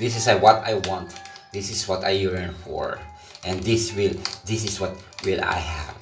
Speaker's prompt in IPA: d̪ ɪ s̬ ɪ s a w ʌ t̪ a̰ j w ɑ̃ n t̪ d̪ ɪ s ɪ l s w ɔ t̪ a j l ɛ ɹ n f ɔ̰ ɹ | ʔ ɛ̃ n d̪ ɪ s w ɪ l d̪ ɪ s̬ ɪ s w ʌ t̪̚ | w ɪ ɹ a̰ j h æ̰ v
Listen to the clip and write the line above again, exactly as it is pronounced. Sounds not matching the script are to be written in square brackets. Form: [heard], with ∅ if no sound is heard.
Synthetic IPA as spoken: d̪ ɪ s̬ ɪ s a w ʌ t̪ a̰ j w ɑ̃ n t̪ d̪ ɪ s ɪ [∅] s w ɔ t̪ a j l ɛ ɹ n f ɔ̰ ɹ | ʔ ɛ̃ n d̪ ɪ s w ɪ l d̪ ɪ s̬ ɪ s w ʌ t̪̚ | w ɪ [l] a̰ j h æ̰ v